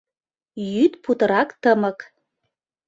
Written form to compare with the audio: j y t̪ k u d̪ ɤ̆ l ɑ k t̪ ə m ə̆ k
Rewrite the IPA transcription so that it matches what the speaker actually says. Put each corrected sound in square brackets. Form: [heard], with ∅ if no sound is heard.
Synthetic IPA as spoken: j y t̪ [p] u [t̪] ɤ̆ [ɾ] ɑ k t̪ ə m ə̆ k